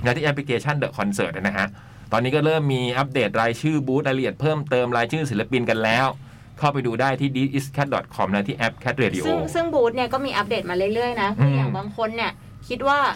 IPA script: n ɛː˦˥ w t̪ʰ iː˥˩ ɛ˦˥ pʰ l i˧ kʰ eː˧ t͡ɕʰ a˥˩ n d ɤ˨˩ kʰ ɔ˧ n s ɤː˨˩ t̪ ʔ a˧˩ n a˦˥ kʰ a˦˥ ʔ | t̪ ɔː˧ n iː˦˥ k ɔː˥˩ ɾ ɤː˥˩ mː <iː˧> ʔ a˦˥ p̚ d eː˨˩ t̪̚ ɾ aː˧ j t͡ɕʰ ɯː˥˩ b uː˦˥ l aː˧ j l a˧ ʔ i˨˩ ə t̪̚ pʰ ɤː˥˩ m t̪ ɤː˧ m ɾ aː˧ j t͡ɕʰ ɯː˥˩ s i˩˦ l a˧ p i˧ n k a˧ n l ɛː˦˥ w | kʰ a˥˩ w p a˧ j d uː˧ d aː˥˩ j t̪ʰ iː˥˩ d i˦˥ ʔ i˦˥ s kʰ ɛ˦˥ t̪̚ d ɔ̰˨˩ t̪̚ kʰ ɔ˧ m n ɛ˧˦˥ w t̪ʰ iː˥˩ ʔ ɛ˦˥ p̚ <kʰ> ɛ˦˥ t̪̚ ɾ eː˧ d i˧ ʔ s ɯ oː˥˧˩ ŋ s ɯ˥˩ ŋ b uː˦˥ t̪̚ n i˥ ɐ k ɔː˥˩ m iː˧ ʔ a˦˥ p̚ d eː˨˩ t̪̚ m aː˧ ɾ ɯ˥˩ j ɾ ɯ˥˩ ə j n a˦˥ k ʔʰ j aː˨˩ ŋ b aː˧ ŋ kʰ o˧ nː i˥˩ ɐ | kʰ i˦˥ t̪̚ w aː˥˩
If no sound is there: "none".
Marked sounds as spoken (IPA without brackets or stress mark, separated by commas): iː˧, kʰ